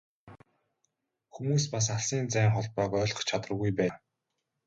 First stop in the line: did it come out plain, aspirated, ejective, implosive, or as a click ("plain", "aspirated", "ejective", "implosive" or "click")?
plain